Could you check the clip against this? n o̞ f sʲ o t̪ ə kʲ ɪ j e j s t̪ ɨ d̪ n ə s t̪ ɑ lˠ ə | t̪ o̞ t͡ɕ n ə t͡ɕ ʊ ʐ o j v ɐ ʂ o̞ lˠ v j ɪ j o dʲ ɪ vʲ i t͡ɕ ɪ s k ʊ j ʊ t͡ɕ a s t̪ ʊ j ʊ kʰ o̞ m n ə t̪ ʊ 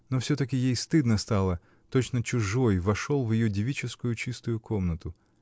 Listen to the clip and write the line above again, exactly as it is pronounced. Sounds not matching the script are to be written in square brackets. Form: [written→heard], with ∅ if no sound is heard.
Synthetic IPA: n o̞ f sʲ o t̪ ə kʲ ɪ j e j s t̪ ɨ d̪ n ə s t̪ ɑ lˠ ə | t̪ o̞ t͡ɕ n ə t͡ɕ ʊ ʐ o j v ɐ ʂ o̞ lˠ v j ɪ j o dʲ ɪ vʲ i t͡ɕ ɪ s k ʊ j ʊ t͡ɕ [a→i] s t̪ ʊ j ʊ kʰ o̞ m n ə t̪ ʊ